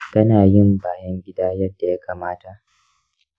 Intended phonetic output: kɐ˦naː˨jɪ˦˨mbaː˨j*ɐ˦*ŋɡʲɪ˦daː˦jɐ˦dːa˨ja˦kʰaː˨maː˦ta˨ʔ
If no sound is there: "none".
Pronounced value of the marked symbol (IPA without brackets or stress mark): ɐ˦